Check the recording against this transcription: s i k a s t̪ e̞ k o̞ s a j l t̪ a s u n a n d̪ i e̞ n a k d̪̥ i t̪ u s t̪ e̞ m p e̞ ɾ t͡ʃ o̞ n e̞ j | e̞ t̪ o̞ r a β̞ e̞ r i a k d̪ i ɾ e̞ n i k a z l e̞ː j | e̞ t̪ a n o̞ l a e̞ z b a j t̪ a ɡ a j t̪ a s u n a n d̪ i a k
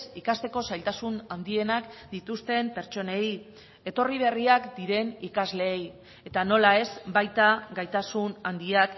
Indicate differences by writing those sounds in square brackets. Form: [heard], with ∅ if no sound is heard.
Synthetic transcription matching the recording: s i k a s t̪ e̞ k o̞ s a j l t̪ a s u n a n d̪ i e̞ n a k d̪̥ i t̪ u s t̪ e̞ m p e̞ ɾ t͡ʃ o̞ n e̞ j | e̞ t̪ o̞ r [i] β̞ e̞ r i a k d̪ i ɾ e̞ n i k a z l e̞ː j | e̞ t̪ a n o̞ l a e̞ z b a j t̪ a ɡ a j t̪ a s u n a n d̪ i a k